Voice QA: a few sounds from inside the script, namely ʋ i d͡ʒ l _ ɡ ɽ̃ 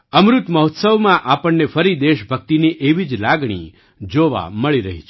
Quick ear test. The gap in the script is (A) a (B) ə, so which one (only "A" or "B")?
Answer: A